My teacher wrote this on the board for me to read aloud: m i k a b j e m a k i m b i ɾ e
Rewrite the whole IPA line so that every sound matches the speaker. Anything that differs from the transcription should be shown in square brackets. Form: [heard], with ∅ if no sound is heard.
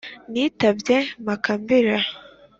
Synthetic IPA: [n] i [t] a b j e m a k [a] m b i ɾ [a]